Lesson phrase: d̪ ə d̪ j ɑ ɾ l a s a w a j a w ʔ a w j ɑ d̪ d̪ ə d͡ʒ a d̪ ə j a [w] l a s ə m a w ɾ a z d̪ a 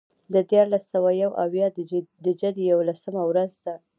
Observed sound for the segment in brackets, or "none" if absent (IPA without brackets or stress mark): w